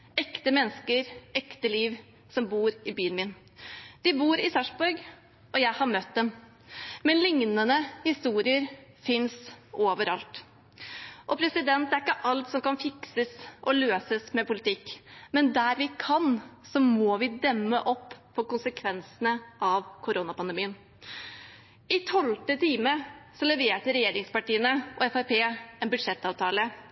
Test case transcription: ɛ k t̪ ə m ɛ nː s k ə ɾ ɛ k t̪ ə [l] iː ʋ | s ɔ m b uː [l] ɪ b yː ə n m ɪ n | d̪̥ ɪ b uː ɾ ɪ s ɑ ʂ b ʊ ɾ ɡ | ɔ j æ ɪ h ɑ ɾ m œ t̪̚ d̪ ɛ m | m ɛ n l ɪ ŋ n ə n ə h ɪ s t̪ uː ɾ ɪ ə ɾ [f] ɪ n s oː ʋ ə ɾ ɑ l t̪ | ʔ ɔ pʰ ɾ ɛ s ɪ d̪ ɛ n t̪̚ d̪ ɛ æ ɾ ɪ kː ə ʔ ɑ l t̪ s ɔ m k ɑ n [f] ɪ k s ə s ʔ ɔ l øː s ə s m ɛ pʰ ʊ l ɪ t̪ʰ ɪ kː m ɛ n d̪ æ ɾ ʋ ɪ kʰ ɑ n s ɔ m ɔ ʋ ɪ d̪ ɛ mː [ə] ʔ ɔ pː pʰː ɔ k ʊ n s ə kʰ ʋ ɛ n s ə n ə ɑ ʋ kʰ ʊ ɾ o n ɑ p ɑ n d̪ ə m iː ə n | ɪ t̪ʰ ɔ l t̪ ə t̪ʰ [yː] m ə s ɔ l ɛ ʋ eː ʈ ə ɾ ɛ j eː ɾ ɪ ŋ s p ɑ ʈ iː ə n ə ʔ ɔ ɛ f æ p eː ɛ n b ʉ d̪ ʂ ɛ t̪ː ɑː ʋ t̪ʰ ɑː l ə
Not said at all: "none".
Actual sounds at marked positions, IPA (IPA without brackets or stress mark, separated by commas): l, ɾ, f, f, ə, iː